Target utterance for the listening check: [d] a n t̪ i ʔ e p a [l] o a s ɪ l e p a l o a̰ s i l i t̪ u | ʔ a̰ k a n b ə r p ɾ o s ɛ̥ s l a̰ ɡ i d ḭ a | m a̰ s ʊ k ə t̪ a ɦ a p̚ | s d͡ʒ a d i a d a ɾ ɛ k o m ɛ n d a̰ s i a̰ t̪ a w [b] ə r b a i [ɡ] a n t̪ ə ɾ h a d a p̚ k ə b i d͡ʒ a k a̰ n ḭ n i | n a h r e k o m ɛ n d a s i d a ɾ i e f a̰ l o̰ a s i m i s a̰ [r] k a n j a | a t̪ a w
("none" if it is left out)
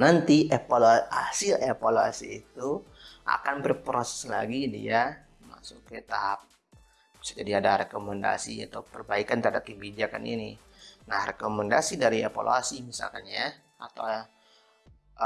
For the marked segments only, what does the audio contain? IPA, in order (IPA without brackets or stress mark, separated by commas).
n, l, p, k, l